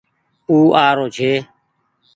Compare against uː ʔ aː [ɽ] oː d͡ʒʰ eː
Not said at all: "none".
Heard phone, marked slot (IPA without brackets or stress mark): ɾ